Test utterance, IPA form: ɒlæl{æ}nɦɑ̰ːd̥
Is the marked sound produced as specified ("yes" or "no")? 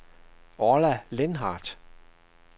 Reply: no